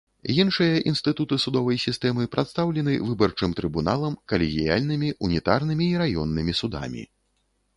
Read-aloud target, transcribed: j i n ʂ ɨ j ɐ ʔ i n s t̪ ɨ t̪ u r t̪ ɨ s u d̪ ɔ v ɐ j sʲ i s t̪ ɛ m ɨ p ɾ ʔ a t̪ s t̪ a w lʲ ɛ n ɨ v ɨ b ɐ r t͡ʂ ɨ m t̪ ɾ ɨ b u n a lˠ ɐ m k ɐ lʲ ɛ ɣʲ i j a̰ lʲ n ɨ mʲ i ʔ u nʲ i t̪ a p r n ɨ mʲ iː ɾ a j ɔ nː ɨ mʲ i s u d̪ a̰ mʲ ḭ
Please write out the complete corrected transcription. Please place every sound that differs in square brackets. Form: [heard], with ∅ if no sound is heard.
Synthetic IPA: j i n ʂ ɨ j ɐ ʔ i n s t̪ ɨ t̪ u [∅] t̪ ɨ s u d̪ ɔ v ɐ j sʲ i s t̪ ɛ m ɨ p ɾ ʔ a t̪ s t̪ a w lʲ ɛ n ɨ v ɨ b ɐ r t͡ʂ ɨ m t̪ ɾ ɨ b u n a lˠ ɐ m k ɐ lʲ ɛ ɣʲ i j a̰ lʲ n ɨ mʲ i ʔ u nʲ i t̪ a [∅] r n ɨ mʲ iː ɾ a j ɔ nː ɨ mʲ i s u d̪ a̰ mʲ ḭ

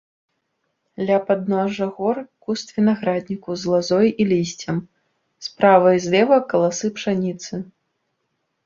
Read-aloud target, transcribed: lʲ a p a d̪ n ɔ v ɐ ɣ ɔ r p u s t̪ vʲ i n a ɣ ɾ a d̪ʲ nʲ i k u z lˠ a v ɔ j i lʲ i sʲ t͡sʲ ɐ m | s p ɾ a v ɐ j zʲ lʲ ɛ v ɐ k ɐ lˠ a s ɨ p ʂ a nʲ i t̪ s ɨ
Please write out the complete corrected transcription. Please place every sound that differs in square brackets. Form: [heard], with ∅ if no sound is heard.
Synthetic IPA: lʲ a p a d̪ n ɔ [ʐ] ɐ ɣ ɔ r [k] u s t̪ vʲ i n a ɣ ɾ a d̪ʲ nʲ i k u z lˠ a [z] ɔ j i lʲ i sʲ t͡sʲ ɐ m | s p ɾ a v ɐ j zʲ lʲ ɛ v ɐ k ɐ lˠ a s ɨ p ʂ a nʲ i t̪ s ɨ

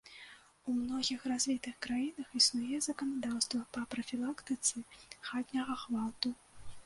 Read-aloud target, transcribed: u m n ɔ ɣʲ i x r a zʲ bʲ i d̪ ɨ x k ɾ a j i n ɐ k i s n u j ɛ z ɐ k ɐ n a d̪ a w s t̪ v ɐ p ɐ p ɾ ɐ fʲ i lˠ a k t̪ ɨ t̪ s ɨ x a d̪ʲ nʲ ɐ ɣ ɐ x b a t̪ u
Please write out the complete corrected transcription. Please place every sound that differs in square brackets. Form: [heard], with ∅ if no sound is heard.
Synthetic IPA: u m n ɔ ɣʲ i x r a zʲ [vʲ] i [t̪] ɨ x k ɾ a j i n ɐ [x] i s n u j ɛ z ɐ k ɐ n a d̪ a w s t̪ v ɐ p ɐ p ɾ ɐ fʲ i lˠ a k t̪ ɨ t̪ s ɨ x a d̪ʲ nʲ ɐ ɣ ɐ x [v] a t̪ u

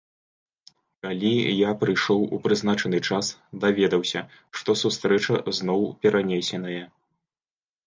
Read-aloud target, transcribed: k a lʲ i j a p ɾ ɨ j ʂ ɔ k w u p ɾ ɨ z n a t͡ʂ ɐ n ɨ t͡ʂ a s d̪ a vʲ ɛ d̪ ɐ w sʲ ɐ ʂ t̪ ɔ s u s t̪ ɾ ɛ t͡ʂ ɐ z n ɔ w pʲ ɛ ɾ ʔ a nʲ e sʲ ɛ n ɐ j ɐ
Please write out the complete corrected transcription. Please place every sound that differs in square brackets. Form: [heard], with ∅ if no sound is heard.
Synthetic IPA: k a lʲ i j a p ɾ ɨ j ʂ ɔ [∅] w u p ɾ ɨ z n a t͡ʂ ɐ n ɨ t͡ʂ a s d̪ a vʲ ɛ d̪ ɐ w sʲ ɐ ʂ t̪ ɔ s u s t̪ ɾ ɛ t͡ʂ ɐ z n ɔ w pʲ ɛ ɾ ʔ a nʲ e sʲ ɛ n ɐ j ɐ

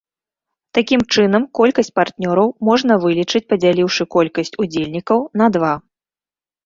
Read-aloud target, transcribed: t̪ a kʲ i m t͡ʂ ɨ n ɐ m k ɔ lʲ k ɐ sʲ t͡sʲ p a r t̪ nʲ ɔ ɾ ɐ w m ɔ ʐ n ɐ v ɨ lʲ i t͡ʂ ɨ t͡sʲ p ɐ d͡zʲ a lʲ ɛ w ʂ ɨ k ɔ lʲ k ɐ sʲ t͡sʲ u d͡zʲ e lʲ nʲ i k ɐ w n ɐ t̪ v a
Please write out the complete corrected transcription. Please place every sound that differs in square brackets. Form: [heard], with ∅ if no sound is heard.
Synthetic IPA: t̪ a kʲ i m t͡ʂ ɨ n ɐ m k ɔ lʲ k ɐ sʲ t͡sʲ p a r t̪ nʲ ɔ ɾ ɐ w m ɔ ʐ n ɐ v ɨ lʲ i t͡ʂ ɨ t͡sʲ p ɐ d͡zʲ a lʲ [i] w ʂ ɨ k ɔ lʲ k ɐ sʲ t͡sʲ u d͡zʲ e lʲ nʲ i k ɐ w n ɐ [d̪] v a

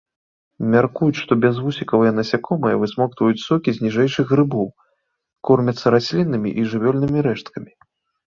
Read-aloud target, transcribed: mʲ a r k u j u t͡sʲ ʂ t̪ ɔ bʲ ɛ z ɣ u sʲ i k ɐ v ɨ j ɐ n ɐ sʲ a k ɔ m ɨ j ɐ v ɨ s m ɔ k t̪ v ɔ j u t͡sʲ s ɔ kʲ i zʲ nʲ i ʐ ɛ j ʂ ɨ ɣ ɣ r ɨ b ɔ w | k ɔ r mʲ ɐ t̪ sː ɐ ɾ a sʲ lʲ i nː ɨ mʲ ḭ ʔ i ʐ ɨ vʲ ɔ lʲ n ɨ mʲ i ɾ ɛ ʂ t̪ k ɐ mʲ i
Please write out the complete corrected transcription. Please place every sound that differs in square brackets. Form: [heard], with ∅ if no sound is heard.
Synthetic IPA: mʲ a r k u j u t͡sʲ ʂ t̪ ɔ bʲ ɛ z [v] u sʲ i k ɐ v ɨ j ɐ n ɐ sʲ a k ɔ m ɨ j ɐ v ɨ s m ɔ k t̪ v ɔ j u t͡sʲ s ɔ kʲ i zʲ nʲ i ʐ ɛ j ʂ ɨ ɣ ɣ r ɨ b ɔ w | k ɔ r mʲ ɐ t̪ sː ɐ ɾ a sʲ lʲ i nː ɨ mʲ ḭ ʔ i ʐ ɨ vʲ ɔ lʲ n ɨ mʲ i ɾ ɛ ʂ t̪ k ɐ mʲ i

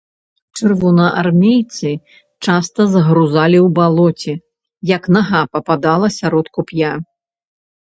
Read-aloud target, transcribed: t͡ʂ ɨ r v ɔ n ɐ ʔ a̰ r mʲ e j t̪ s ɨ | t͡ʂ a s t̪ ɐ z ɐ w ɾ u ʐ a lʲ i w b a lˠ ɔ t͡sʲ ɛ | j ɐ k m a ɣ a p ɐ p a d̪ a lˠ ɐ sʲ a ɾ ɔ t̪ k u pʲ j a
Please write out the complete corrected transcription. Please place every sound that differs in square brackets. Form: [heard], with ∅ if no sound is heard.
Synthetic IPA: t͡ʂ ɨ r v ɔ n ɐ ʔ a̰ r mʲ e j t̪ s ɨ | t͡ʂ a s t̪ ɐ z ɐ [ɣ] ɾ u [z] a lʲ i w b a lˠ ɔ t͡sʲ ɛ | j ɐ k [n] a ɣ a p ɐ p a d̪ a lˠ ɐ sʲ a ɾ ɔ t̪ k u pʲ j a

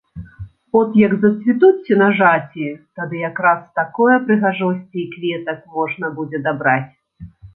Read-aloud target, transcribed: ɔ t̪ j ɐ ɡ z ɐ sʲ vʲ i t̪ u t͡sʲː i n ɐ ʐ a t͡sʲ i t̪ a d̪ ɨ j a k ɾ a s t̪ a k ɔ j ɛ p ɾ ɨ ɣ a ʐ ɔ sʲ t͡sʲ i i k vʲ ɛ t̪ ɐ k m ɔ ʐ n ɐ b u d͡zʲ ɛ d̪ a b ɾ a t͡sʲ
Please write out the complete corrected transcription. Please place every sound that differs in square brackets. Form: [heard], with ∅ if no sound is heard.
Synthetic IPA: ɔ t̪ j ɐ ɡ z ɐ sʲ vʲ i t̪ u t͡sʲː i n ɐ ʐ a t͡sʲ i t̪ a d̪ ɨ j a k ɾ a s t̪ a k ɔ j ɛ p ɾ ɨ ɣ a ʐ ɔ sʲ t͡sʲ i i k vʲ ɛ t̪ ɐ k m ɔ ʐ n ɐ b u d͡zʲ ɛ d̪ a b ɾ a t͡sʲ

